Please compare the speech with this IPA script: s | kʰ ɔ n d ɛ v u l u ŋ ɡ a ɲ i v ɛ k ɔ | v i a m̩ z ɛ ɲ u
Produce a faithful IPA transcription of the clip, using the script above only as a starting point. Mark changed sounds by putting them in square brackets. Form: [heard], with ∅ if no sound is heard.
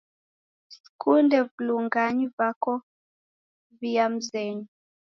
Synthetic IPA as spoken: s | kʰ [u] n d ɛ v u l u ŋ ɡ a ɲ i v [a] k ɔ | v i a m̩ z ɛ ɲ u

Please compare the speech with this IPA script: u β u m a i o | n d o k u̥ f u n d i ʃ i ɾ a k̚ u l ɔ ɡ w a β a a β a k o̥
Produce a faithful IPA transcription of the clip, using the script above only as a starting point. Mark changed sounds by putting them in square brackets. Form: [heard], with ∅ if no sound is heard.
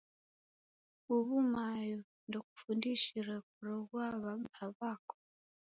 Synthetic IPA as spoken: u β u m a [j] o | n d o k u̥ f u n d i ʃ i ɾ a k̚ u [ɾ] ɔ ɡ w a β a a β a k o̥

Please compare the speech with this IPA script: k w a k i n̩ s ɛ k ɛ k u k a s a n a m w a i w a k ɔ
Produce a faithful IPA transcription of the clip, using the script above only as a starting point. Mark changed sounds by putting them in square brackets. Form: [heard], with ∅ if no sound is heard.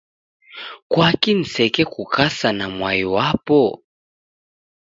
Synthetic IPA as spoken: k w a k i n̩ s ɛ k ɛ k u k a s a n a m w a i w a [p] ɔ

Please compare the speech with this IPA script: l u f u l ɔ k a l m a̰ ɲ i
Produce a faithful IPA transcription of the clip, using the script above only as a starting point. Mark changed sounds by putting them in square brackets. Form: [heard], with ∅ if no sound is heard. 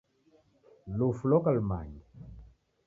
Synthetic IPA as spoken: l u f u l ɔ k a l m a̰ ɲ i

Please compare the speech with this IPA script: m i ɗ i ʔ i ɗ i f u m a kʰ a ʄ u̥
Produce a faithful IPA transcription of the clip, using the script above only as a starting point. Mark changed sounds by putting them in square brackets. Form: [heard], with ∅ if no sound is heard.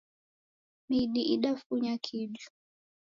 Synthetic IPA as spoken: m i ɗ i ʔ i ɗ [a] f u [ɲ] a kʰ [i] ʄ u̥

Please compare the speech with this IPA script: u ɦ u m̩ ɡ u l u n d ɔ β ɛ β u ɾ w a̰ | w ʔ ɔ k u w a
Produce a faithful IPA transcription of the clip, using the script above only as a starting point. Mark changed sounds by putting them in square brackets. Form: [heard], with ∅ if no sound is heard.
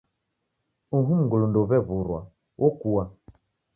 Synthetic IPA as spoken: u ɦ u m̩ ɡ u l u n d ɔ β ɛ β u ɾ w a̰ | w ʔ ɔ k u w a

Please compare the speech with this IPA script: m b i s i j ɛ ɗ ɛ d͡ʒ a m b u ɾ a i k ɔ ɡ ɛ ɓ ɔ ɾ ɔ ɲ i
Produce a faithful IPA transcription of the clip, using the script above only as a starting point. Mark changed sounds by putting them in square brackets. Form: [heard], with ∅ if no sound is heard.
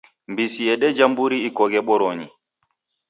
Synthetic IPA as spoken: m b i s i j ɛ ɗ ɛ d͡ʒ a m b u ɾ [i] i k ɔ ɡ ɛ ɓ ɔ ɾ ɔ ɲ i

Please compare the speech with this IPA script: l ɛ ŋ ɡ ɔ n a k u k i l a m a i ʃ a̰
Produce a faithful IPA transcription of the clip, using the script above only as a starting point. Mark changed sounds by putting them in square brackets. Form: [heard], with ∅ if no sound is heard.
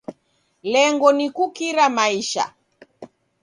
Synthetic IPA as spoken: l ɛ ŋ ɡ ɔ n [i] k u k i [ɾ] a m a i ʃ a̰

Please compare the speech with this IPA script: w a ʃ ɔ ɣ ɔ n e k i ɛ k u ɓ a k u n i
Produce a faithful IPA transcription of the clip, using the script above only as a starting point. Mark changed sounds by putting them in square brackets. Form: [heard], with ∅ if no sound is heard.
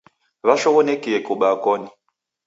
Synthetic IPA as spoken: [β] a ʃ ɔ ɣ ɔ n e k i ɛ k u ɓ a k [ɔ] n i

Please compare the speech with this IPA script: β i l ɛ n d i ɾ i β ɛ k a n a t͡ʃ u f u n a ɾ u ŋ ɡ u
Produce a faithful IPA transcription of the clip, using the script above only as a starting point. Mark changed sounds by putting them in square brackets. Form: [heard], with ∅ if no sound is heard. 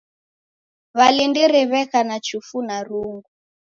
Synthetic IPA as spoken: β [a] l [i] n d i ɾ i β ɛ k a n a t͡ʃ u f u n a ɾ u ŋ ɡ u

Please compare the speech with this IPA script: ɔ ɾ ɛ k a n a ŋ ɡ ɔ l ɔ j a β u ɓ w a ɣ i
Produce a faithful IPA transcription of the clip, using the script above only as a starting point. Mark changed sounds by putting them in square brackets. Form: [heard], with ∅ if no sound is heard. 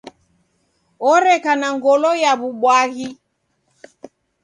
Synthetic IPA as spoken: ɔ ɾ ɛ k a n a ŋ ɡ ɔ l ɔ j a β u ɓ w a ɣ i

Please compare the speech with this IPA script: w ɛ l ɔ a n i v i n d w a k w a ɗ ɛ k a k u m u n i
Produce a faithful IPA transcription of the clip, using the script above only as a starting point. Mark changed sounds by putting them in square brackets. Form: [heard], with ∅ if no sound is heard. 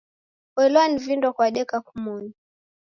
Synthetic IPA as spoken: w ɛ l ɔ a n i v i n d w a k w a ɗ ɛ k a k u m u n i

